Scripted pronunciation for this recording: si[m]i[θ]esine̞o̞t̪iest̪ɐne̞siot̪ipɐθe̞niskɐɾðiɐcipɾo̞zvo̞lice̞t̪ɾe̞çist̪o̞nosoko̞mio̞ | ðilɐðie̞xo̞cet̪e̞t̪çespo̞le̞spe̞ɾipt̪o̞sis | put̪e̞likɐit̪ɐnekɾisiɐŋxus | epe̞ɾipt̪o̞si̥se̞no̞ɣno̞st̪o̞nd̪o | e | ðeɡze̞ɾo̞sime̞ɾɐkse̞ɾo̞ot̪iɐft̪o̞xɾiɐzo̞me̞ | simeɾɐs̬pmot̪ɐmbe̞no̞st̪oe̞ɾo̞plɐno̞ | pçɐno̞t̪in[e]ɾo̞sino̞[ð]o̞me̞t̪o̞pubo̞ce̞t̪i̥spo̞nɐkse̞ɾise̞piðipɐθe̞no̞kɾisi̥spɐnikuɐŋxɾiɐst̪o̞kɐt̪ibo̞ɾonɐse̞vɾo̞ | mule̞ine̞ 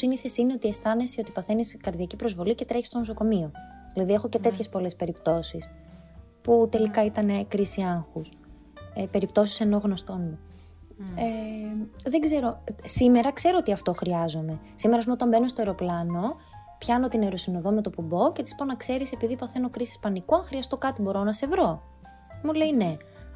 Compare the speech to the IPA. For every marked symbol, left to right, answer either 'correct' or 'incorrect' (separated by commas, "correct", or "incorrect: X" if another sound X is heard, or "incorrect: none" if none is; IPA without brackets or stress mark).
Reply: incorrect: n, correct, correct, correct